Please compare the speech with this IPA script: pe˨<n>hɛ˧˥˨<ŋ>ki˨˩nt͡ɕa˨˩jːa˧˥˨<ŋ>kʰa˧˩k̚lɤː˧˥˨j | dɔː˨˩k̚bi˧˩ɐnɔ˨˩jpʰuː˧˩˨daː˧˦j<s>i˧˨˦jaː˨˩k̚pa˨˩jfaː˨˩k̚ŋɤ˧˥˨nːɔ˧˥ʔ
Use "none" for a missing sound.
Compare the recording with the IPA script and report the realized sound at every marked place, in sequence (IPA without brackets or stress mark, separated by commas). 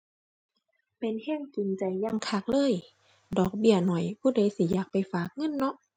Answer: n, ŋ, ŋ, s